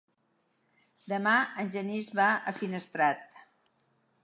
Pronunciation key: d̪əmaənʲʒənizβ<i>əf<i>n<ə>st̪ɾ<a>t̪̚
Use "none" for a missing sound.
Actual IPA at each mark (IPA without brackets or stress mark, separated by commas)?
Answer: a, i, ə, a